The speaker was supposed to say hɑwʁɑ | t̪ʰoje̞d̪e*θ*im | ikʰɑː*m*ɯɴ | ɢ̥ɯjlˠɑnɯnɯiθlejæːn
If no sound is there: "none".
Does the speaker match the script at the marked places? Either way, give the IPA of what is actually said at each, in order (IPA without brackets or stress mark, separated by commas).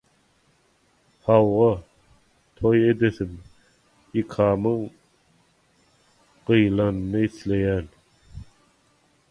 θ, m